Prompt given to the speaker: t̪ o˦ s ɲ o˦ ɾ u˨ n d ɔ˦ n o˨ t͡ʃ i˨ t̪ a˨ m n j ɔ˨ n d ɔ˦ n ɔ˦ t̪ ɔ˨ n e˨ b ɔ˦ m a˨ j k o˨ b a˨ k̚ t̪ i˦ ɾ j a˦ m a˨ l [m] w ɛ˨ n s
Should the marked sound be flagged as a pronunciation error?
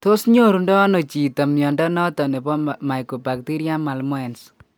no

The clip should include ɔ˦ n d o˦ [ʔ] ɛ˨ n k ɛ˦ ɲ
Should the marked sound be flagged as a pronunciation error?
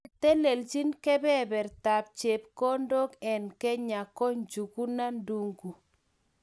yes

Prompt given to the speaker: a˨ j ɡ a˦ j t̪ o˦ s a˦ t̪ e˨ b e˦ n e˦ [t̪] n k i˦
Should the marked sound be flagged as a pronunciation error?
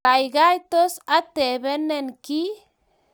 yes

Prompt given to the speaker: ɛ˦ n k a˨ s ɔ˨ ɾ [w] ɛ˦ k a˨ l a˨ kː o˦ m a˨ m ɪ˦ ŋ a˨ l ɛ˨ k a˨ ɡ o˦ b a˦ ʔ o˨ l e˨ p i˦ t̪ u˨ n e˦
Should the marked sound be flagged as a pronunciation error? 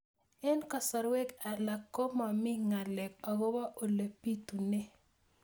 no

